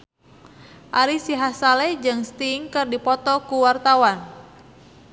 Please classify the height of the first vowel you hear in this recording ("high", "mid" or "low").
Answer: low